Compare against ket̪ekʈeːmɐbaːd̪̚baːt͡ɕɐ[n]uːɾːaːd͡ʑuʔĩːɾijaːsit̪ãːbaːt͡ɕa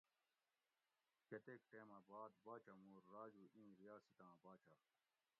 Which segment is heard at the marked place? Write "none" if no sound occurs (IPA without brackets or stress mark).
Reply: m